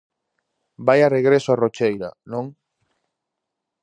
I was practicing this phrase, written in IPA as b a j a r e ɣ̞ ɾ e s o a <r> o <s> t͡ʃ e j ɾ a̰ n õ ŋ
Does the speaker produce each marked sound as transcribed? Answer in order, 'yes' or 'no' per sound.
yes, no

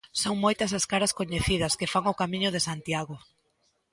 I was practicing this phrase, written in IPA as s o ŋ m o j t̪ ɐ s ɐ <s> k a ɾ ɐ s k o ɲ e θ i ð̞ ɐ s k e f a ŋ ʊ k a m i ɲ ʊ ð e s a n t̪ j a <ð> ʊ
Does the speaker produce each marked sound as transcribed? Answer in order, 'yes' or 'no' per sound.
yes, no

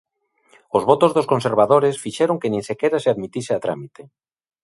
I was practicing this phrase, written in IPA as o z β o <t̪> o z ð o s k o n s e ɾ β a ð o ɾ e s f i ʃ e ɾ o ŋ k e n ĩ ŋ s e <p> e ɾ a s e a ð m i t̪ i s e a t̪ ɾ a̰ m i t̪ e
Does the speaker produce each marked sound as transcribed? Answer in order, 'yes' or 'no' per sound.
yes, no

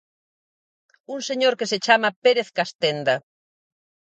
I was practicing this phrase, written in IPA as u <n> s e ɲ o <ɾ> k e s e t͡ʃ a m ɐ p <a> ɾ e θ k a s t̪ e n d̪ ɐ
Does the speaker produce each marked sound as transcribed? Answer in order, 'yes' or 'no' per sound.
no, yes, no

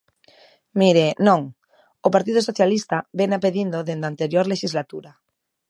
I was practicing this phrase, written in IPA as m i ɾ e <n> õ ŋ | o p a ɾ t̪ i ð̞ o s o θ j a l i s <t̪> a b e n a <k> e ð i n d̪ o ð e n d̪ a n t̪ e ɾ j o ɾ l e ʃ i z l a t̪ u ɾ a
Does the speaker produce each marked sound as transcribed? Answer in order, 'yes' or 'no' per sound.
yes, yes, no

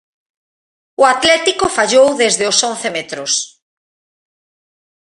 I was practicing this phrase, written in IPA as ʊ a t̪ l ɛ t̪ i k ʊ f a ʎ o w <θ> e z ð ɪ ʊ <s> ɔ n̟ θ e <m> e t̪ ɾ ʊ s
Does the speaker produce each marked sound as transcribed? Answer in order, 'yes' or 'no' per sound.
no, yes, yes

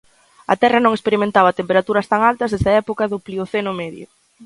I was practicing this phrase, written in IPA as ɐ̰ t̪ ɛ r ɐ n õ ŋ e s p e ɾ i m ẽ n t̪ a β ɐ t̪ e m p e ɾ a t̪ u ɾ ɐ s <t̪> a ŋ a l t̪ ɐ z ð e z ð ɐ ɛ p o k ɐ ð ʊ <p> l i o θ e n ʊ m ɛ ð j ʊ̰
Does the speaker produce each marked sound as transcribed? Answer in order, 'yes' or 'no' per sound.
yes, yes

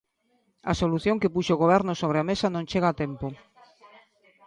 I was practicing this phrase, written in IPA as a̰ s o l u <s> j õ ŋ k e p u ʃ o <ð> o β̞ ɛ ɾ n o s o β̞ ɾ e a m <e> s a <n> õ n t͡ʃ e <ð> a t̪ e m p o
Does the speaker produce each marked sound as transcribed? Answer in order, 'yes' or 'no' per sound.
no, no, yes, yes, no

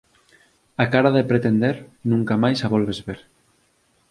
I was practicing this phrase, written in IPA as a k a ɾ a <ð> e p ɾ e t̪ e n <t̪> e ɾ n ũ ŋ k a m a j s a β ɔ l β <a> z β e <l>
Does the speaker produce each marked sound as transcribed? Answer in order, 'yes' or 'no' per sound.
yes, no, no, no

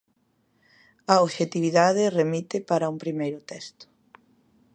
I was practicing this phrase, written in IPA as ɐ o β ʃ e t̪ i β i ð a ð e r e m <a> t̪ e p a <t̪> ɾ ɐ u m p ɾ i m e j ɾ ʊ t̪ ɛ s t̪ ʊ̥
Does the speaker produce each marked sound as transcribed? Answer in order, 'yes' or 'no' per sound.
no, no

